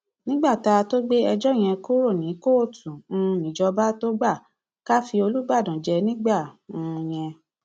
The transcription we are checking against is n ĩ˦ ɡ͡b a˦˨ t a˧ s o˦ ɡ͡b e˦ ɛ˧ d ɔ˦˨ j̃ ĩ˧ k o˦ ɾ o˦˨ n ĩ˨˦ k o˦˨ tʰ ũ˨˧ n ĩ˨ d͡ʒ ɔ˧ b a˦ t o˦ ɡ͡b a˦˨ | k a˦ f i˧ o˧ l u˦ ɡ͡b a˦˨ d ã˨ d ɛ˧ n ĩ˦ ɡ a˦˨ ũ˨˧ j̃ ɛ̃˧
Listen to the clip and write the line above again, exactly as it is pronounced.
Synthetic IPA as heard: n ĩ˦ ɡ͡b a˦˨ t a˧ t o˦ ɡ͡b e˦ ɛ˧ d͡ʒ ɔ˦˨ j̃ ɛ̃˧ k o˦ ɾ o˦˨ n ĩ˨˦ k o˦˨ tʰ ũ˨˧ n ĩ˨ d͡ʒ ɔ˧ b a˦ t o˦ ɡ͡b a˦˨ | k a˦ f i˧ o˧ l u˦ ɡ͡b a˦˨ d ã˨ d͡ʒ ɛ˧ n ĩ˦ ɡ͡b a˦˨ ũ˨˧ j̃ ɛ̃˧